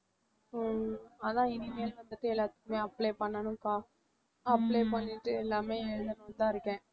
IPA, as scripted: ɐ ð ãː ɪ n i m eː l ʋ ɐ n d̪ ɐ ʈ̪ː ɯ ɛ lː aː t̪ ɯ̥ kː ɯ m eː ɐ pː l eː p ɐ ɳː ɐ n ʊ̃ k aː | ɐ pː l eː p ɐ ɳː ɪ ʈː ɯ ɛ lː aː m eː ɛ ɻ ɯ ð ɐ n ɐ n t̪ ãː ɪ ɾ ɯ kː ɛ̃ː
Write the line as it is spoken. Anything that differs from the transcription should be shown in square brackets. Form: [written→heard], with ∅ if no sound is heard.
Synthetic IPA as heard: ɐ ð ãː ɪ n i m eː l ʋ ɐ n d̪ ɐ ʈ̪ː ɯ ɛ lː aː t̪ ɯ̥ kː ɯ m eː ɐ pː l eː p ɐ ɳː ɐ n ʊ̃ k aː | ɐ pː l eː p ɐ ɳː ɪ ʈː ɯ ɛ lː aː m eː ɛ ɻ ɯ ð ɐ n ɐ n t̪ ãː ɪ ɾ ɯ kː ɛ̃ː